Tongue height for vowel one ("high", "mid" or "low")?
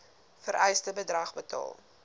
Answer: mid